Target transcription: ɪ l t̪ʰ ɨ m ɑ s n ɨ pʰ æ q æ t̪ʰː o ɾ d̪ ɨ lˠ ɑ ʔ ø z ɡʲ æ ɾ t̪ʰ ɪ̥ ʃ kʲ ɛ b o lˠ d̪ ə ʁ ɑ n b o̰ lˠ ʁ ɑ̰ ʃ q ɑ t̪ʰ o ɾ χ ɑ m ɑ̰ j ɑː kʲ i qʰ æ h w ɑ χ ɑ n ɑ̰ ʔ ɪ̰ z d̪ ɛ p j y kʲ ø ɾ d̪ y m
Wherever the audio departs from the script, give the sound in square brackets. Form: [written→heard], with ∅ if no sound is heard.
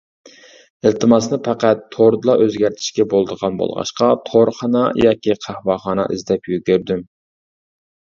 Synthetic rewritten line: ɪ l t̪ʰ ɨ m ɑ s n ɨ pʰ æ q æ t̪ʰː o ɾ d̪ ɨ lˠ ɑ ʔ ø z ɡʲ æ ɾ t̪ʰ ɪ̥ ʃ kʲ ɛ b o lˠ d̪ ə ʁ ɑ n b o̰ lˠ ʁ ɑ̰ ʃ q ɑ t̪ʰ o ɾ χ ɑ [m→n] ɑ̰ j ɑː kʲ i qʰ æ h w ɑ χ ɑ n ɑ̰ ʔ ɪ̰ z d̪ ɛ p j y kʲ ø ɾ d̪ y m